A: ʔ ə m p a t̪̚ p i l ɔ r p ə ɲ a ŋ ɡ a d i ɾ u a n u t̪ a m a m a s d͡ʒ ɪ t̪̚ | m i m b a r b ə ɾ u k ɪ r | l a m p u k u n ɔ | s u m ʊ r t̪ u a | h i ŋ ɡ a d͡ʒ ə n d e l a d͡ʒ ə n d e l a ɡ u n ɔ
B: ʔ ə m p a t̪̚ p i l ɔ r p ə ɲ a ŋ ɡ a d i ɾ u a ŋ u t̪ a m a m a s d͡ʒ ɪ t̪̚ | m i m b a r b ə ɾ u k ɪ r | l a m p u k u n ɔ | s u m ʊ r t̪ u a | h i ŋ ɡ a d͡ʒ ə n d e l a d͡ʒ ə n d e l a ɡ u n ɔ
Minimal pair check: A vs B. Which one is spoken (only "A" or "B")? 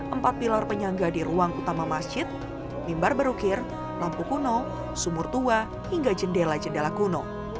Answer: B